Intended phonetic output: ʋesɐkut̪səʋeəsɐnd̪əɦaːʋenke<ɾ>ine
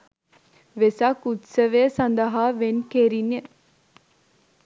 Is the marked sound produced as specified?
yes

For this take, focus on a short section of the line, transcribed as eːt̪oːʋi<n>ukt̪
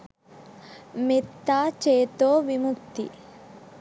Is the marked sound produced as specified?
no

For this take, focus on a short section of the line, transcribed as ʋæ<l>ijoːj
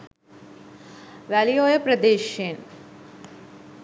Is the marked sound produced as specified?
yes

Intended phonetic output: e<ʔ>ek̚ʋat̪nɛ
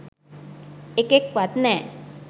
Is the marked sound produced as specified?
no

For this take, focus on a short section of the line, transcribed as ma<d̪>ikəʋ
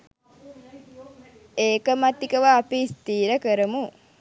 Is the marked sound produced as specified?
no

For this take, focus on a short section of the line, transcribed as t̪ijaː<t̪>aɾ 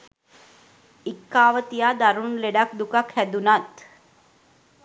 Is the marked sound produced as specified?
no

